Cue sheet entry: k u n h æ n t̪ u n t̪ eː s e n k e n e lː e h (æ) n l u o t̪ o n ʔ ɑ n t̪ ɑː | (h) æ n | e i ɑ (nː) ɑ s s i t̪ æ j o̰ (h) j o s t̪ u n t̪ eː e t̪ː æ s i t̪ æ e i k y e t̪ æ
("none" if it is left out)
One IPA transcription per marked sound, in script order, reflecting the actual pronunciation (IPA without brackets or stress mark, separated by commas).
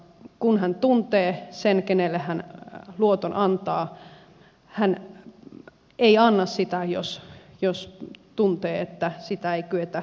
æ, h, nː, s